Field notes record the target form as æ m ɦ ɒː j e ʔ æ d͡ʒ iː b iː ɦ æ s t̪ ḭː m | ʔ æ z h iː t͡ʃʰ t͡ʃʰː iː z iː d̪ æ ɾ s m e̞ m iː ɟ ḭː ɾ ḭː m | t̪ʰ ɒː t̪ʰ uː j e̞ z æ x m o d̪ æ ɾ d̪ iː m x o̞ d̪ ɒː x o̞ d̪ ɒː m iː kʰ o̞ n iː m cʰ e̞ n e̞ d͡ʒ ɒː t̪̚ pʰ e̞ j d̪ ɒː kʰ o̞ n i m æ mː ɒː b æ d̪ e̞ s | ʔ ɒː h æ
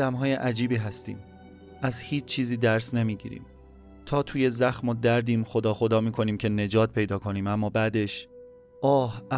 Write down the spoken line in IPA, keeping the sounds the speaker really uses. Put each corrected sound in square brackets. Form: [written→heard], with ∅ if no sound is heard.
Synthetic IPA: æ m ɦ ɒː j e ʔ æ d͡ʒ iː b iː ɦ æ s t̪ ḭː m | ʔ æ z h iː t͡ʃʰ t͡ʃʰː iː z iː d̪ æ ɾ s [m→n] e̞ m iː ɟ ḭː ɾ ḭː m | t̪ʰ ɒː t̪ʰ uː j e̞ z æ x m o d̪ æ ɾ d̪ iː m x o̞ d̪ ɒː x o̞ d̪ ɒː m iː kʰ o̞ n iː m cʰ e̞ n e̞ d͡ʒ ɒː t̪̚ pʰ e̞ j d̪ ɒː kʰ o̞ n [i→iː] m æ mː ɒː b æ d̪ e̞ [s→ʃ] | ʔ ɒː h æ